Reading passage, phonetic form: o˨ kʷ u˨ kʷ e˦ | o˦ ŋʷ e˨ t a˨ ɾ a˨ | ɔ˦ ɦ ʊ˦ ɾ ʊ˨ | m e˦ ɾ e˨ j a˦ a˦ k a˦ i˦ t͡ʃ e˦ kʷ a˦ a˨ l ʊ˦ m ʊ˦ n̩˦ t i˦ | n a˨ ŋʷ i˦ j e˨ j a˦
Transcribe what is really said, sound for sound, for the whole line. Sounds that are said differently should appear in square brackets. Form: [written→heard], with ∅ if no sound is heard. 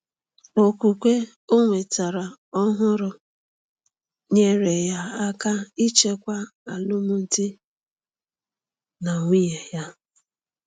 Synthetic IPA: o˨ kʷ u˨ kʷ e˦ | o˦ ŋʷ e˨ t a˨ ɾ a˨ | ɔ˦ ɦ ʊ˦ ɾ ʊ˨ | [m→ɲ] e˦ ɾ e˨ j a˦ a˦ k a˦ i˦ t͡ʃ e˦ kʷ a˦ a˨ l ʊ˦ m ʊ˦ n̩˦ t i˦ | n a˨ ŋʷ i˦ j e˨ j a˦